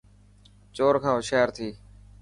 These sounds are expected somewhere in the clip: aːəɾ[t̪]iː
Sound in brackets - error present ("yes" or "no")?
yes